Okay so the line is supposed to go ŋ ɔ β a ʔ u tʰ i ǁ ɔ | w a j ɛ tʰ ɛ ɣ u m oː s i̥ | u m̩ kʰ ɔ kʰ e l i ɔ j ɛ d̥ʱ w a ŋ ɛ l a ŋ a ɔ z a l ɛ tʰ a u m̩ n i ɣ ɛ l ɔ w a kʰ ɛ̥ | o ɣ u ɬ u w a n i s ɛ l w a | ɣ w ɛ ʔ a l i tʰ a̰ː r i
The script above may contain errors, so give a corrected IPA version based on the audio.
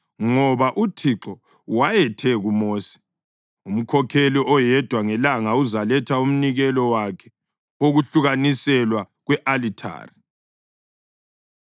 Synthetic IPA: ŋ ɔ β a ʔ u tʰ i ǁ ɔ | w a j ɛ tʰ ɛ ɣ u m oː s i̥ | u m̩ kʰ ɔ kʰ e l i ɔ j ɛ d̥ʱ w a ŋ ɛ l a ŋ a u z a l ɛ tʰ a u m̩ n i ɣ ɛ l ɔ w a kʰ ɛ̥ | o ɣ u ɬ u ɣ a n i s ɛ l w a | ɣ w ɛ ʔ a l i tʰ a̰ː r i